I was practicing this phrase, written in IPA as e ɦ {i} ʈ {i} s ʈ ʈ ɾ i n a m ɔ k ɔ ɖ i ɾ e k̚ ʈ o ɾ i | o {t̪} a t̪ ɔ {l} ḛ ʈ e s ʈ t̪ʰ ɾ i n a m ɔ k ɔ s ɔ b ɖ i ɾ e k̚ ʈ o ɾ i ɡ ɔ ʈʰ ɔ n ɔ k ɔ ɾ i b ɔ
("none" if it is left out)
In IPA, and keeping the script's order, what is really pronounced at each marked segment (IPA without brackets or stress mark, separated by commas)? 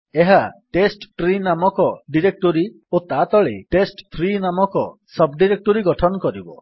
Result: a, e, t̪, ɭ